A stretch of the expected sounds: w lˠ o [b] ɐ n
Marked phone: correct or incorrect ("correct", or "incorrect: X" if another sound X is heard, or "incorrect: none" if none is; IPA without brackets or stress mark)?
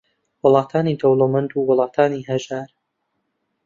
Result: incorrect: m